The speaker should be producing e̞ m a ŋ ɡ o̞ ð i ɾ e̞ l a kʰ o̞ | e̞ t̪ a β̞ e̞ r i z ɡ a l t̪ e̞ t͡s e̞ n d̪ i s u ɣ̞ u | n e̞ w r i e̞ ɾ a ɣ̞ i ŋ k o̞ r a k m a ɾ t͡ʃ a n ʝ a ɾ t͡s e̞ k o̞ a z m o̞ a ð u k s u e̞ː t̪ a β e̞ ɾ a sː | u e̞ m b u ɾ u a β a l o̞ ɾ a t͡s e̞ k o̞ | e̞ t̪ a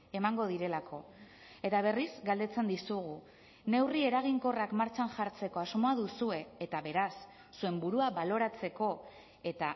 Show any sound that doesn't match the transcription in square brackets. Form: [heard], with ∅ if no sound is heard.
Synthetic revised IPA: e̞ m a ŋ ɡ o̞ ð i ɾ e̞ l a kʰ o̞ | e̞ t̪ a β̞ e̞ r i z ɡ a l [d̪] e̞ t͡s e̞ n d̪ i s u ɣ̞ u | n e̞ w r i e̞ ɾ a ɣ̞ i ŋ k o̞ r a k m a ɾ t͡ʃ a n ʝ a ɾ t͡s e̞ k o̞ a z m o̞ a ð u [∅] s u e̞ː t̪ a β e̞ ɾ a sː | u e̞ m b u ɾ u a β a l o̞ ɾ a t͡s e̞ k o̞ | e̞ t̪ a